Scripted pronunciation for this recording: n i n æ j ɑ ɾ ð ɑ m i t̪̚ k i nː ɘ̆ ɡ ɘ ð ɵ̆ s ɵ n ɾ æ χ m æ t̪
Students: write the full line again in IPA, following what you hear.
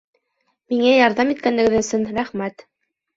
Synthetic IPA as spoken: m i ŋ æ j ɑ ɾ ð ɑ m i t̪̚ k æ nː ɘ̆ ɡ ɘ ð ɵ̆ s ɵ n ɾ æ χ m æ t̪